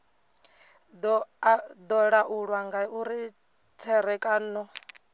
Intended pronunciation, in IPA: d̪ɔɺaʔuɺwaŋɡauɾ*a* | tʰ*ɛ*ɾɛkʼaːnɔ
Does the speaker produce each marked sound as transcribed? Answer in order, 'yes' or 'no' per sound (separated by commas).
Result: no, yes